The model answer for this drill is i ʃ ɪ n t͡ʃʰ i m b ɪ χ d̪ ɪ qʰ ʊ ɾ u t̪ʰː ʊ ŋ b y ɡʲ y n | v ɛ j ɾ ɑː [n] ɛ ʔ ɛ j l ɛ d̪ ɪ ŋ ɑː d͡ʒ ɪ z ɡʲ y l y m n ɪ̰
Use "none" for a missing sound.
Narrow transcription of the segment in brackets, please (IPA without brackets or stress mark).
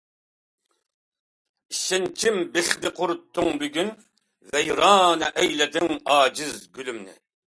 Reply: n